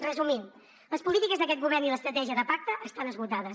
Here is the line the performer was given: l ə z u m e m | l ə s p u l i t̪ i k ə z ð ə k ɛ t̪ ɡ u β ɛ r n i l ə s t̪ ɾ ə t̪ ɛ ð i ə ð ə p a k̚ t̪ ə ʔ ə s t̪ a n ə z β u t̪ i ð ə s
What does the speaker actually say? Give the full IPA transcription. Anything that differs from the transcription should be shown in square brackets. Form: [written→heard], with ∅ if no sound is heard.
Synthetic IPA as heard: [l→r] ə z u m [e→i] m | l ə s p u l i t̪ i k ə z ð ə k ɛ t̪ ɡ u β ɛ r n i l ə s t̪ ɾ ə t̪ ɛ [ð→ʒ] i ə ð ə p a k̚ t̪ ə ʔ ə s t̪ a n ə z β u t̪ [i→a] ð ə s